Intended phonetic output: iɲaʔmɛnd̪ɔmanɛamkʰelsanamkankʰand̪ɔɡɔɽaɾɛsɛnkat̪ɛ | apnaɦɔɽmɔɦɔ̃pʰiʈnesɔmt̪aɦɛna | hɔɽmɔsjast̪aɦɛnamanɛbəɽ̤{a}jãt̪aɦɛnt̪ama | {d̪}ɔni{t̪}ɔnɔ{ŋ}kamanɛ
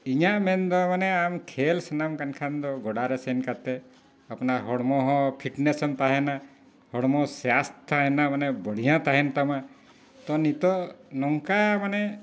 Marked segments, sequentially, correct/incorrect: incorrect: i, incorrect: t̪, correct, correct

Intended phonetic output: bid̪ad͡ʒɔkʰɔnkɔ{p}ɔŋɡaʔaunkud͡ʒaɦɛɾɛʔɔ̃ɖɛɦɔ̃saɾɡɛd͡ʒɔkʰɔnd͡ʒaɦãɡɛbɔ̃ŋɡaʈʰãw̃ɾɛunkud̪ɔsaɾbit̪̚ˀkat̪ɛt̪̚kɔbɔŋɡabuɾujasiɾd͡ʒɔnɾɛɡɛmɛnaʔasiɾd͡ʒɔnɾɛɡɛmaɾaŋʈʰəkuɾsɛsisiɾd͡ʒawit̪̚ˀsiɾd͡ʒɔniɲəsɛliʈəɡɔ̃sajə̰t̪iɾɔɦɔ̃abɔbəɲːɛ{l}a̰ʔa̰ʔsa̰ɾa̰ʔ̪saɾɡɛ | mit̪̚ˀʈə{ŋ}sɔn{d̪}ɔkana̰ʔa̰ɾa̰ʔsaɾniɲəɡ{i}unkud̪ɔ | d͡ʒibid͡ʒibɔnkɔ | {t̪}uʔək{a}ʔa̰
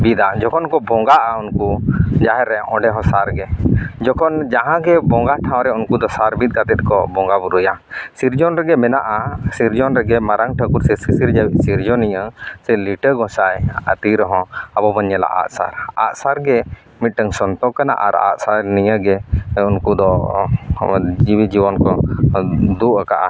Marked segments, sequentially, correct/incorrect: incorrect: b, correct, correct, incorrect: t̪, incorrect: ɛ, incorrect: d̪, correct

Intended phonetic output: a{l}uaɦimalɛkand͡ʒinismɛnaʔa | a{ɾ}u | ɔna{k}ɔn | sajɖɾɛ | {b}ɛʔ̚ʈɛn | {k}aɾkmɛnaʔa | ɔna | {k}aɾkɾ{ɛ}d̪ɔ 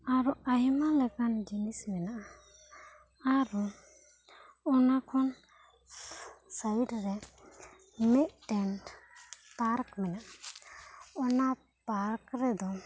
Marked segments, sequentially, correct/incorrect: incorrect: ɾ, correct, incorrect: kʰ, incorrect: m, incorrect: p, incorrect: p, correct

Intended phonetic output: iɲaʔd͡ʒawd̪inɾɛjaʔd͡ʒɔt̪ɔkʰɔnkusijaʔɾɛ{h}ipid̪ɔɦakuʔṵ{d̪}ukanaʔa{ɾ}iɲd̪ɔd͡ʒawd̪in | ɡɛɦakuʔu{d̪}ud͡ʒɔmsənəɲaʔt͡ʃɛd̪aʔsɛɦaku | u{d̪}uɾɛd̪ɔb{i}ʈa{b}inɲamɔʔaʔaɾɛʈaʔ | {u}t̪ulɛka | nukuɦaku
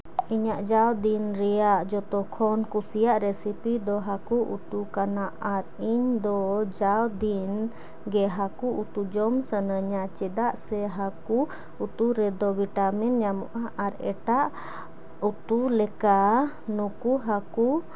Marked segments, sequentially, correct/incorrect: incorrect: s, incorrect: t̪, correct, incorrect: t̪, incorrect: t̪, correct, incorrect: m, correct

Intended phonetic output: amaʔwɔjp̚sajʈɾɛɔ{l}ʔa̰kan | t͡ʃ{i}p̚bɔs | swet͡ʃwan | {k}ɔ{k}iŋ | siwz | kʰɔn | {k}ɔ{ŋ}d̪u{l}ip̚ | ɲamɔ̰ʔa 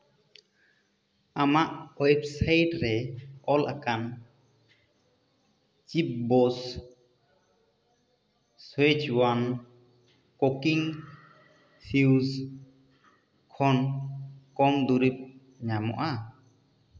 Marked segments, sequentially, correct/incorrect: correct, correct, correct, correct, correct, correct, incorrect: ɾ

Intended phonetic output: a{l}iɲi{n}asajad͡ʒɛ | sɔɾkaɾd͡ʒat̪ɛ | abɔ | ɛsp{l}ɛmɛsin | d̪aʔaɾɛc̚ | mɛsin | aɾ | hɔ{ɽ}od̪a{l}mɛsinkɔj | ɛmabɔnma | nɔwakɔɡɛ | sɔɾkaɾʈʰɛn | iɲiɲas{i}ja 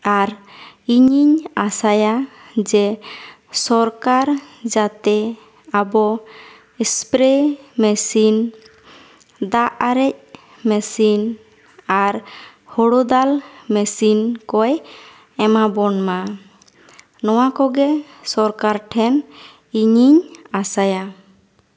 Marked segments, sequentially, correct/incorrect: incorrect: ɾ, incorrect: ɲ, incorrect: ɾ, correct, correct, incorrect: a

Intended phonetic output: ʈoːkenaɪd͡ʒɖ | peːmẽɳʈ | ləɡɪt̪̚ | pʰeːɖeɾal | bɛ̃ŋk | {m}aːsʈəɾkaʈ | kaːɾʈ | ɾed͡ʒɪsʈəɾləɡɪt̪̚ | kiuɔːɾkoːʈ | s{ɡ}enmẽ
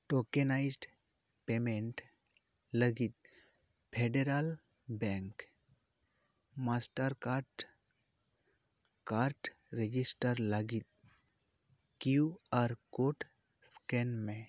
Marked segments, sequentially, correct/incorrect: correct, incorrect: k

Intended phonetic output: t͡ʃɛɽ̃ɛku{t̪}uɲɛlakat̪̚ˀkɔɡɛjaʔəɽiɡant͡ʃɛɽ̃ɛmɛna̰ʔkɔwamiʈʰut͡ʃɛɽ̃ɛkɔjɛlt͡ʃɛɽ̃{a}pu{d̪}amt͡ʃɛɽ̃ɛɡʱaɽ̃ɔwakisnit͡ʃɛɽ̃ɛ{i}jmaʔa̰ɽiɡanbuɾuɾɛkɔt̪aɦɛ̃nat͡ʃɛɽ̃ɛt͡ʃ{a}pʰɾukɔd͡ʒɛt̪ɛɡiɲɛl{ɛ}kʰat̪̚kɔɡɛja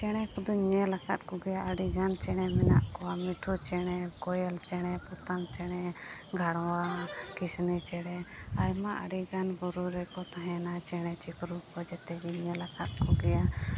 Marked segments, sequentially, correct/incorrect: incorrect: d̪, incorrect: ɛ, incorrect: t̪, incorrect: a, incorrect: i, incorrect: a

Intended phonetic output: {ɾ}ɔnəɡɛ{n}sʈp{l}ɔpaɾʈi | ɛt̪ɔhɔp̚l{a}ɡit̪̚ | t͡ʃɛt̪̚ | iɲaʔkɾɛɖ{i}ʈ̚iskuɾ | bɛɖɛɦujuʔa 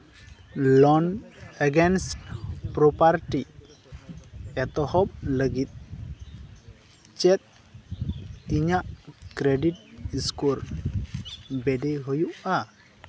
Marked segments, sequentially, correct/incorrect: incorrect: l, correct, incorrect: ɾ, incorrect: ə, correct

